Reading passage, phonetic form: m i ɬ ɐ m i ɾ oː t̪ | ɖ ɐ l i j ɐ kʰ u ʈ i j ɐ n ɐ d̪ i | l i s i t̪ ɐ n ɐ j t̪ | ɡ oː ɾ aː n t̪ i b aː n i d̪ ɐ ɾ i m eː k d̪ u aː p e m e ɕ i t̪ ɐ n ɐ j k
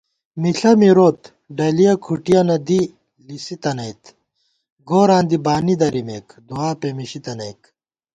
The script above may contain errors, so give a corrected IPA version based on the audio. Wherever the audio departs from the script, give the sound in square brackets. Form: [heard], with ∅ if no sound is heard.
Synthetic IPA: m i ɬ ɐ m i ɾ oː t̪ | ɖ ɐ l i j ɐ kʰ u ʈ i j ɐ n ɐ d̪ i | l i s i t̪ ɐ n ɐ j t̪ | ɡ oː ɾ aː n [d̪] i b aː n i d̪ ɐ ɾ i m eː k d̪ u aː p e m [i] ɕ i t̪ ɐ n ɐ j k